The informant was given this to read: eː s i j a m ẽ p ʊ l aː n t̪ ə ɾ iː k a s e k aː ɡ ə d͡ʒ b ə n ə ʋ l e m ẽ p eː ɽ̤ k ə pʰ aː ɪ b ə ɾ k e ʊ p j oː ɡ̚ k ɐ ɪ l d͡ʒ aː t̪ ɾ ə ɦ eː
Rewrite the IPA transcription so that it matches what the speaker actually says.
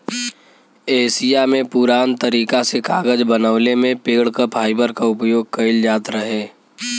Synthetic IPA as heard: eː s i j a m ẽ p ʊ ɾ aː n t̪ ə ɾ iː k a s e k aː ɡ ə d͡ʒ b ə n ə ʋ l e m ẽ p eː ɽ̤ k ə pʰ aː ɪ b ə ɾ k a ʊ p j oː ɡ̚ k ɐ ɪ l d͡ʒ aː t̪ ɾ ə ɦ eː

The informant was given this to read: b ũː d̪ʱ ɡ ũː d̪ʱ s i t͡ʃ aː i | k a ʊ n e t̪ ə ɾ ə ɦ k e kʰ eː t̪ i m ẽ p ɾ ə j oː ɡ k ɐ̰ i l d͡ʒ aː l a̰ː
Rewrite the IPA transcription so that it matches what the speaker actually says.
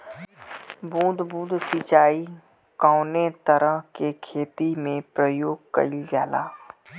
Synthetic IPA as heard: b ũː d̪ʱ b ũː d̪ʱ s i t͡ʃ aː i | k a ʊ n e t̪ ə ɾ ə ɦ k e kʰ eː t̪ i m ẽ p ɾ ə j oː ɡ k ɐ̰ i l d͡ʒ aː l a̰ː

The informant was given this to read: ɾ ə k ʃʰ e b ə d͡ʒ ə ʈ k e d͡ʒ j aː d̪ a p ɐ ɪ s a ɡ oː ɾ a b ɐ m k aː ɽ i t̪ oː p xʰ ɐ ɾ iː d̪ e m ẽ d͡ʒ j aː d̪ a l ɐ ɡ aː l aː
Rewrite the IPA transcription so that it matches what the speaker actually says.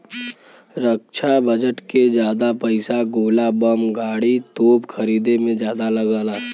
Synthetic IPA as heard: ɾ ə k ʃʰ a b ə d͡ʒ ə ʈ k e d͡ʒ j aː d̪ a p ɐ ɪ s a ɡ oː l a b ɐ m ɡ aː ɽ i t̪ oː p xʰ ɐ ɾ iː d̪ e m ẽ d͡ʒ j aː d̪ a l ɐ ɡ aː l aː

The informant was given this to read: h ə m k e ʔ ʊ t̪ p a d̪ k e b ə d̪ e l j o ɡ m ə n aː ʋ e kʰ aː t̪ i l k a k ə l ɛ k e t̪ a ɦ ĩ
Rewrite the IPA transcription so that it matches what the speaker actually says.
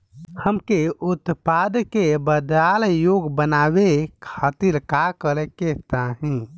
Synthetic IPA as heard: h ə m k e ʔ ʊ t̪ p a d̪ k e b ə d̪ a l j o ɡ b ə n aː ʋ e kʰ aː t̪ i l k a k ə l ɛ k e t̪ a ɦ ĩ

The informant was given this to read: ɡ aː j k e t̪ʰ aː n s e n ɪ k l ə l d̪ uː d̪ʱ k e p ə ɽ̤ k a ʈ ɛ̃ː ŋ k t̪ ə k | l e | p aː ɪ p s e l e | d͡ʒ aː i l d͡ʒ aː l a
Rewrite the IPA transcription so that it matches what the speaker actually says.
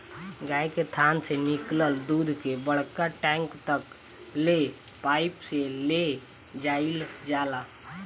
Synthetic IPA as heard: ɡ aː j k e t̪ʰ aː n s e n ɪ k l ə l d̪ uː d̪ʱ k e b ə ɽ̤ k a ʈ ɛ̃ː ŋ k t̪ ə k | l e | p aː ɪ p s e l e | d͡ʒ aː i l d͡ʒ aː l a

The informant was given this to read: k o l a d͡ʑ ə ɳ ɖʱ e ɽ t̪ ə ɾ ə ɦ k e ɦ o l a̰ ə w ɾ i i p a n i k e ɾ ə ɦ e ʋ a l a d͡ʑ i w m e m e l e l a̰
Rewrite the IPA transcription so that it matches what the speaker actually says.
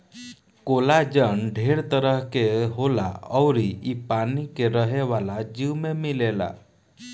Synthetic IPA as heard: k o l a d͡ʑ ə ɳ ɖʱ e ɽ t̪ ə ɾ ə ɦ k e ɦ o l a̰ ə w ɾ i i p a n i k e ɾ ə ɦ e ʋ a l a d͡ʑ i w m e m i l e l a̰

